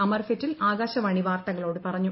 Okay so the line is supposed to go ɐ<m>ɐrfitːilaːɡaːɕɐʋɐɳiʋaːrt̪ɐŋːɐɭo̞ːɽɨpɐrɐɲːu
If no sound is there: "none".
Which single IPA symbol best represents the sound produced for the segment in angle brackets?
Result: m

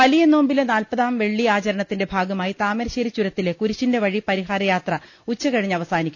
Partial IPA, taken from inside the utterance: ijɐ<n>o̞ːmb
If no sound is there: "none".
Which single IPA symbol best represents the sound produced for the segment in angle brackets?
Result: n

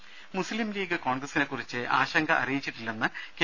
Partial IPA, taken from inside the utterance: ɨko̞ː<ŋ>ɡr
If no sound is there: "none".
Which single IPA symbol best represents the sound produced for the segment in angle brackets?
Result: ɳ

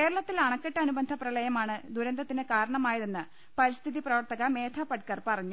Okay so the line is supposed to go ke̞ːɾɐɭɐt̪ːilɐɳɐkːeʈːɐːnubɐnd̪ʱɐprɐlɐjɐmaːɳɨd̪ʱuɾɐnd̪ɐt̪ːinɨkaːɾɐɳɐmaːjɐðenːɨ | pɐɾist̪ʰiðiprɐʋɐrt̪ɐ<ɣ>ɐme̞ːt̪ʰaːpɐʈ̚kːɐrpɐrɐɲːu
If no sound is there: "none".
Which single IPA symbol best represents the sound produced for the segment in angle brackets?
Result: ɣ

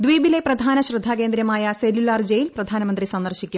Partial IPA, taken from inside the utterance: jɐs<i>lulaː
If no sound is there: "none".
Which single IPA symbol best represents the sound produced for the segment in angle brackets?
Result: e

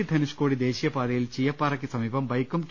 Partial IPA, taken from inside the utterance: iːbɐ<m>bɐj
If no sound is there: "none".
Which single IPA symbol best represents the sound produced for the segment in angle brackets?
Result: m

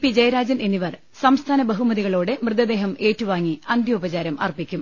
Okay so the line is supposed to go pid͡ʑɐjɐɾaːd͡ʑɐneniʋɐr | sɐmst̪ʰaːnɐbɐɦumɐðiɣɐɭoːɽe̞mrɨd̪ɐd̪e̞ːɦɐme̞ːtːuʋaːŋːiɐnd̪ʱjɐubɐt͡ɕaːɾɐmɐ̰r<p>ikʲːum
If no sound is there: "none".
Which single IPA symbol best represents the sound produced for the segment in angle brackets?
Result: p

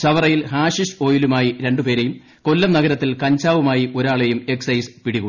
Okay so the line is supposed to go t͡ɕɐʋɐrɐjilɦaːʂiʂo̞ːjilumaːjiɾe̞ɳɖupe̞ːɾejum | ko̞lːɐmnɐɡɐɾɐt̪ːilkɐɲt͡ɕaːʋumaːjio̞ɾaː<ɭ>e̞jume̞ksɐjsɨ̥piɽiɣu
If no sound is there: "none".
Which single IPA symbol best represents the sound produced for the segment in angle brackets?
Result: ɭ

